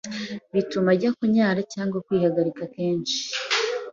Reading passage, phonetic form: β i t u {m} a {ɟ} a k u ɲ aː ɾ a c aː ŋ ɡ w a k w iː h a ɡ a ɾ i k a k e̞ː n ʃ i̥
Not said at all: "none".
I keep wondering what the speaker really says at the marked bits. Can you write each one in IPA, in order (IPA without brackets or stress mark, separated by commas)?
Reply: m, ɟ